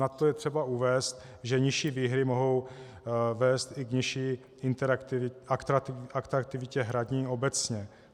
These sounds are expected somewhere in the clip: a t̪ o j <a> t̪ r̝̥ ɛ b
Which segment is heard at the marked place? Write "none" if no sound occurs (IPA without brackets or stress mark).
ɛ